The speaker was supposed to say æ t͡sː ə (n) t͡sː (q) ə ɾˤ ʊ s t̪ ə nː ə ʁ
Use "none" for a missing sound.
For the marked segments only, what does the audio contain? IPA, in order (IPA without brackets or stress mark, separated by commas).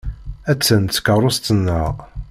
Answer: n, k